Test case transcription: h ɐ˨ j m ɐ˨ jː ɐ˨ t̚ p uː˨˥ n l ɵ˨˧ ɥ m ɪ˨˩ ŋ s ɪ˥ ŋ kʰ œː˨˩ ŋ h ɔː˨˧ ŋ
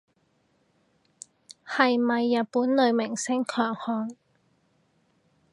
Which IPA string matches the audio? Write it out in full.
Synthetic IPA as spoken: h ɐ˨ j m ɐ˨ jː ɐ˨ t̚ p uː˨˥ n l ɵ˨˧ ɥ m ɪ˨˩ ŋ s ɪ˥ ŋ kʰ œː˨˩ ŋ h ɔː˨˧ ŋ